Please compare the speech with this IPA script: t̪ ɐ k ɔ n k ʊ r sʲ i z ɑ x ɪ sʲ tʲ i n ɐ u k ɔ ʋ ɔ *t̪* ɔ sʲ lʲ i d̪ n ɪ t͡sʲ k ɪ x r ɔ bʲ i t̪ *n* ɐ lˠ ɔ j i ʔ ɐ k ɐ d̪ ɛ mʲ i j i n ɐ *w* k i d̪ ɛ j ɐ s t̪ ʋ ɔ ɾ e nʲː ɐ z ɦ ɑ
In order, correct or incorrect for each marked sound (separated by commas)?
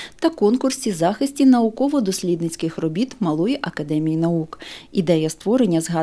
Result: incorrect, incorrect, incorrect